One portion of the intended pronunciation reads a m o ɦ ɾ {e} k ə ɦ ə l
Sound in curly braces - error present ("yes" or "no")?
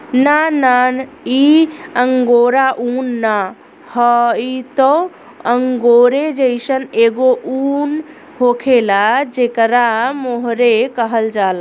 no